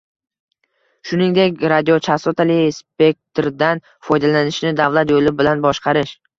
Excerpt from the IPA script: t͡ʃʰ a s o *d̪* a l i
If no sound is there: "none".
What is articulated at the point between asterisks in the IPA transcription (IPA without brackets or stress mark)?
t̪